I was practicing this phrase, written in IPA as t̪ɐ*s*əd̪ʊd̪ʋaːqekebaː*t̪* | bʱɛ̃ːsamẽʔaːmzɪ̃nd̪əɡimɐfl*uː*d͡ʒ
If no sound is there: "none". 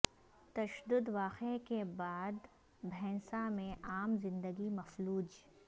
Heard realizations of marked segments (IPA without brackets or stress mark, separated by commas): ʃ, d̪, uː